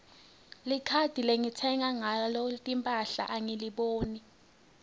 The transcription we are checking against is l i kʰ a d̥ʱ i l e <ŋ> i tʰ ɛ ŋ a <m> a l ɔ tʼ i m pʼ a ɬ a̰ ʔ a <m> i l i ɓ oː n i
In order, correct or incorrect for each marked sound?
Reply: correct, incorrect: ŋ, incorrect: ŋ

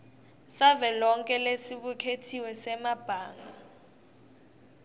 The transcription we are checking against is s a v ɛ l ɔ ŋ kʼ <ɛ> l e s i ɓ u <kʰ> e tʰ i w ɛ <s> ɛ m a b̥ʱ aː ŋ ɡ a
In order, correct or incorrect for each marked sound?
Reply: correct, correct, correct

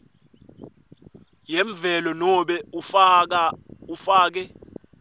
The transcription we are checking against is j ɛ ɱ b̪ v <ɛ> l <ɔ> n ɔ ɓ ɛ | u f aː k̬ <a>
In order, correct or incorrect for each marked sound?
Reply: correct, correct, incorrect: ɛ

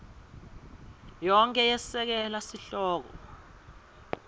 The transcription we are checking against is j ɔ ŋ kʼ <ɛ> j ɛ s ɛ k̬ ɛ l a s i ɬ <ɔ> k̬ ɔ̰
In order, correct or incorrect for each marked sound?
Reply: correct, incorrect: ɔː

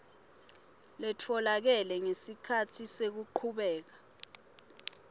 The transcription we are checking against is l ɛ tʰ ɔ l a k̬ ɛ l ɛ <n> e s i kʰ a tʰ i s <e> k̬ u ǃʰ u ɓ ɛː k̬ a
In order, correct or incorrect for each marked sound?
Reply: incorrect: ŋ, correct

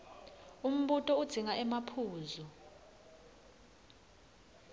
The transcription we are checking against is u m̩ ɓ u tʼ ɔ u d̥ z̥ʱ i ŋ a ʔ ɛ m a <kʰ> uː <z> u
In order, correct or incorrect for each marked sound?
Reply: incorrect: pʰ, correct

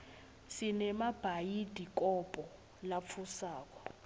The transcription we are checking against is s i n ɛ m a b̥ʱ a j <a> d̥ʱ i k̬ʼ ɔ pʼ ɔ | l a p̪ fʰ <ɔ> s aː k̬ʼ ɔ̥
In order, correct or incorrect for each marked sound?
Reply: incorrect: i, incorrect: u

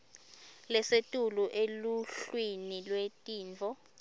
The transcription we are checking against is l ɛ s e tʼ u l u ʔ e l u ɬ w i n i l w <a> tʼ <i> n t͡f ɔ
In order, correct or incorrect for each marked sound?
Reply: incorrect: e, incorrect: iː

